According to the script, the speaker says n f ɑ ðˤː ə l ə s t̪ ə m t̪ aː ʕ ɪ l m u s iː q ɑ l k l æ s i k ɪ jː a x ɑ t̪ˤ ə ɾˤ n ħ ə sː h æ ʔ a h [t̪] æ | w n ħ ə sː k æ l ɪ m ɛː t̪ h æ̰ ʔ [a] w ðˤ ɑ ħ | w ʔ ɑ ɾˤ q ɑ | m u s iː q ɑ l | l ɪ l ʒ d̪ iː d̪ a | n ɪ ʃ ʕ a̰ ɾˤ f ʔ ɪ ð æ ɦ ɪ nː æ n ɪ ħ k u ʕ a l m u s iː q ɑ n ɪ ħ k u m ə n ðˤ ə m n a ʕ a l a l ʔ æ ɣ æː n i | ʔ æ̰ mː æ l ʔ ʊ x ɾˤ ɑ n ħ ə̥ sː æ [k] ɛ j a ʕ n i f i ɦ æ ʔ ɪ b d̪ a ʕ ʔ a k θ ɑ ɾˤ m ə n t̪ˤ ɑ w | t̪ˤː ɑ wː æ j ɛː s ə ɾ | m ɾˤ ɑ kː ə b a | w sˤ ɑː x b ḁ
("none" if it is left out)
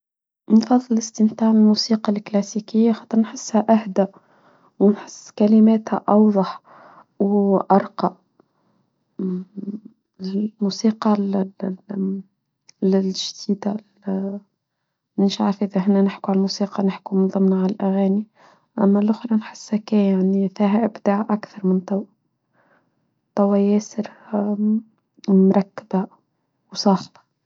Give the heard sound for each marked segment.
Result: d̪, ɑ, k

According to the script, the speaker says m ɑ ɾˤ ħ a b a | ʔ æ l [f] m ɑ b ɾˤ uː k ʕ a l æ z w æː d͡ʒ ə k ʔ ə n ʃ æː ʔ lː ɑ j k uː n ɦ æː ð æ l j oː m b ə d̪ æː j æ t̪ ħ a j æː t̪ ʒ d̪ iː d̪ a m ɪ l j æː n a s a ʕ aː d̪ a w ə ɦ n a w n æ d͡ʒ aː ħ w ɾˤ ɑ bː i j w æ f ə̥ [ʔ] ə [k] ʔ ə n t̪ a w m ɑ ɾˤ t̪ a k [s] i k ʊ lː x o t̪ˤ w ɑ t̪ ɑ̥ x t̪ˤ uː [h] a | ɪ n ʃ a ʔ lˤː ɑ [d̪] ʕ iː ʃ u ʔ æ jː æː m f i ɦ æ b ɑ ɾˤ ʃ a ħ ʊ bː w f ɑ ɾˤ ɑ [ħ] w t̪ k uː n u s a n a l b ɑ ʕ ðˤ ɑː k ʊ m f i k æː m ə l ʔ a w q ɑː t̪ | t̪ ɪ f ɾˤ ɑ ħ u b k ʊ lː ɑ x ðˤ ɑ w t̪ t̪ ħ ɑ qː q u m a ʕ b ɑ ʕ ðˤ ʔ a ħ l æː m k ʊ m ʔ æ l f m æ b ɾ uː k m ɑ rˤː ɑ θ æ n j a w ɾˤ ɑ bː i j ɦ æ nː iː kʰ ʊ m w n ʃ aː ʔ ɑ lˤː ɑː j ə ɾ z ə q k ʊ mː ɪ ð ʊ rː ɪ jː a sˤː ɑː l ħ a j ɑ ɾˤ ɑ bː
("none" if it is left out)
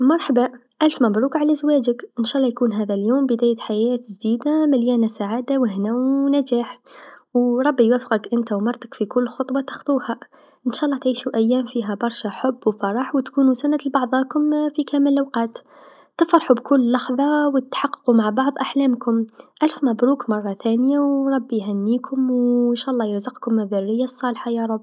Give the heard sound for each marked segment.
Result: f, q, k, f, h, t̪, ħ

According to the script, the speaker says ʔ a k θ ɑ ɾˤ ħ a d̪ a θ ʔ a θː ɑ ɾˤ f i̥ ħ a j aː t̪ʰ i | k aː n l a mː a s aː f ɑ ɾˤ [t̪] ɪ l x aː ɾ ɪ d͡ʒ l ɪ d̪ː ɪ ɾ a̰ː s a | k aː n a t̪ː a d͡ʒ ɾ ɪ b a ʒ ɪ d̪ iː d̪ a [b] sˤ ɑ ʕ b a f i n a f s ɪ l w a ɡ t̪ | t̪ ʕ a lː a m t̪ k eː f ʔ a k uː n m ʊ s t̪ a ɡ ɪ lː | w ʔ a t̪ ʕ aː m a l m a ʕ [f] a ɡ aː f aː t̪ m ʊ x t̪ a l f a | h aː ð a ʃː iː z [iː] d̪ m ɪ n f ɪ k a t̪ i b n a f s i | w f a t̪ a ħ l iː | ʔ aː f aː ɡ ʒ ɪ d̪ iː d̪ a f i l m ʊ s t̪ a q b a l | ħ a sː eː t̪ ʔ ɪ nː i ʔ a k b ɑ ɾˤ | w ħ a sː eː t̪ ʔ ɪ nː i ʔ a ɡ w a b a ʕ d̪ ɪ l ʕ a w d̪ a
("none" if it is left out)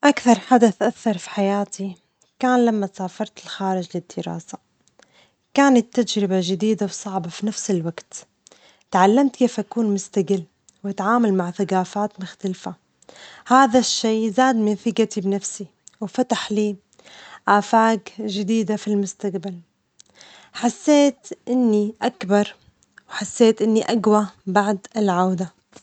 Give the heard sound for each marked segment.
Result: t̪, w, θ, aː

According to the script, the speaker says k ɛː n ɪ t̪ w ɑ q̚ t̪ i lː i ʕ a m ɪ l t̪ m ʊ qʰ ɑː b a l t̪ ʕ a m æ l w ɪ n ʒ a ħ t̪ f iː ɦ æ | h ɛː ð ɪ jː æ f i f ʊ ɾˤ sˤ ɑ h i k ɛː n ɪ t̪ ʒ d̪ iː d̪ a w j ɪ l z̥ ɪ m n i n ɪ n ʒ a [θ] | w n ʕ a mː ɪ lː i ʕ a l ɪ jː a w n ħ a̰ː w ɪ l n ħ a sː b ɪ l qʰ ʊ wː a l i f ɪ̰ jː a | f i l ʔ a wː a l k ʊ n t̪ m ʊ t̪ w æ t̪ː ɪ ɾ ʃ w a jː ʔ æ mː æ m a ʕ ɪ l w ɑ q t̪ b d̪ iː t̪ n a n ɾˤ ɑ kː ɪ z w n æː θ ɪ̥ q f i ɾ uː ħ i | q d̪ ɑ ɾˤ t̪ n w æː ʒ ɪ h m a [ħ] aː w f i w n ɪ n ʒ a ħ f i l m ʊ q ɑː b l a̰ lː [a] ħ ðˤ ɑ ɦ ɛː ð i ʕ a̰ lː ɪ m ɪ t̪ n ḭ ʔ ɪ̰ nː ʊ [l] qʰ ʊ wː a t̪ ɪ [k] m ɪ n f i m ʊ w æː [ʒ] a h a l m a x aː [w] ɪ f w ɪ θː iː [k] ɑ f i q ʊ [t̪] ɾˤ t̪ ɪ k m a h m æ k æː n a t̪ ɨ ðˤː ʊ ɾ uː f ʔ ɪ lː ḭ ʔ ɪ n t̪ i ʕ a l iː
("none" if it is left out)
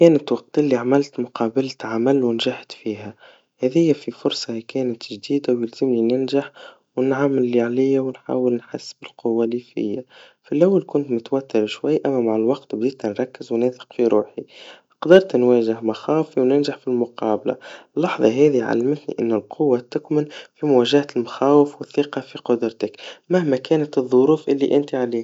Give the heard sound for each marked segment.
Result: ħ, x, ɑ, l, k, ʒ, w, q, d̪

